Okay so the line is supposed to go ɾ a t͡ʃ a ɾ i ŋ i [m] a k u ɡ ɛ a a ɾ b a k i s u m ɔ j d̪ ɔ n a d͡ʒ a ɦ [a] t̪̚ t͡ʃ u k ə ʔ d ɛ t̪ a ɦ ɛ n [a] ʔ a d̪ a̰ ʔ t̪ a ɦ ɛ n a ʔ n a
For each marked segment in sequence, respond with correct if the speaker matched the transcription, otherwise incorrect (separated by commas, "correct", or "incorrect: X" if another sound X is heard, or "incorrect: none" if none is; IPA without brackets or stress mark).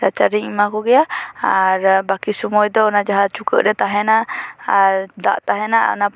correct, correct, correct